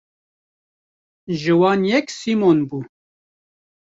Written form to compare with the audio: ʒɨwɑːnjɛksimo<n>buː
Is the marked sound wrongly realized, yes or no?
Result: no